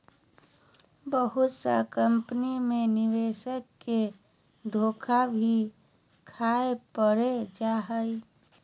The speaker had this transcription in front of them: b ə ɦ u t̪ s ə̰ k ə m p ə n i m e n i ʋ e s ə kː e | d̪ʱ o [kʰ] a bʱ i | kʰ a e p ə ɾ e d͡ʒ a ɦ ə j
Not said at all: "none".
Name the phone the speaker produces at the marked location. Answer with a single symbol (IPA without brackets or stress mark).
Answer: kʰ